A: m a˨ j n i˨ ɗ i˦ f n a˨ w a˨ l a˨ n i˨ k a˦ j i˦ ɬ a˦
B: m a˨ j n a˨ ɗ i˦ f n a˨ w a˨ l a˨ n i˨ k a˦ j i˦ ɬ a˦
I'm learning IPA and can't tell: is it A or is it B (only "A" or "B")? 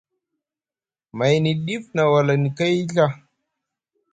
A